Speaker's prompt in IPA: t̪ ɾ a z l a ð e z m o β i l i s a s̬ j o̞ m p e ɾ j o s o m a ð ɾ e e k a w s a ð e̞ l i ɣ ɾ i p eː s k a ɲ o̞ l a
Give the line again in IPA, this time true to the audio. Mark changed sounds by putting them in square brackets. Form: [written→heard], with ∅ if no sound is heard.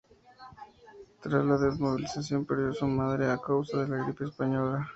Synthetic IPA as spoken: t̪ ɾ a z l a ð e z m o β i l i s a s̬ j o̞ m p e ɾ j o s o m a ð ɾ e [e→a] k a w s a ð e̞ l [i→a] ɣ ɾ i p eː s [k→p] a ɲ o̞ l a